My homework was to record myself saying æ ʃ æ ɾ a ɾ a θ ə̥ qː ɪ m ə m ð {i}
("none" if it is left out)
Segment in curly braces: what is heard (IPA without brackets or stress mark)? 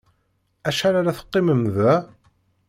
æ